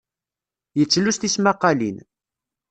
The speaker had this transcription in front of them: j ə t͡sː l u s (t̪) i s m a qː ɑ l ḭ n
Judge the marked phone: correct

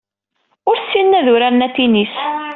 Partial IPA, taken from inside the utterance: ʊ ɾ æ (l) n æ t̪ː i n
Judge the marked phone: incorrect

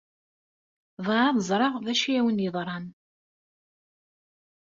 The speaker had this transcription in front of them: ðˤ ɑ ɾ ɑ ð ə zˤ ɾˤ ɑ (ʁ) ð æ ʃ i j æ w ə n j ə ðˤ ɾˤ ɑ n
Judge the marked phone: correct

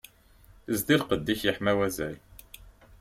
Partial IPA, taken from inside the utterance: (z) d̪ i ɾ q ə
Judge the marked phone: correct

